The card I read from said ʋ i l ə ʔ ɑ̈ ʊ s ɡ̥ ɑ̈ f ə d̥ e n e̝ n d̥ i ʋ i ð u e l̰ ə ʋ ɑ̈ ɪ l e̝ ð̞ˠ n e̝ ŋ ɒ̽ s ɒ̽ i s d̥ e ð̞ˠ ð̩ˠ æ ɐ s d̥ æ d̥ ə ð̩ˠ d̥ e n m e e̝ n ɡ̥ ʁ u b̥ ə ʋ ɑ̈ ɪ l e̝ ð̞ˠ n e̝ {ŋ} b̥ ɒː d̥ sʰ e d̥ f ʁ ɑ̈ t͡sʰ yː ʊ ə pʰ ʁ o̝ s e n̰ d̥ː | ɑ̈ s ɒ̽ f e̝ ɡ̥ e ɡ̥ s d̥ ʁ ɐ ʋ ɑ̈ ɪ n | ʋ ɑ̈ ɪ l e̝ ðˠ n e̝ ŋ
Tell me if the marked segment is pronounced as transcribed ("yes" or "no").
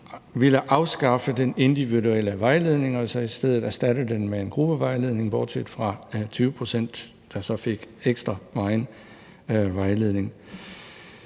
yes